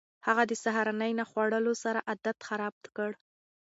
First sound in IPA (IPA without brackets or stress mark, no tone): h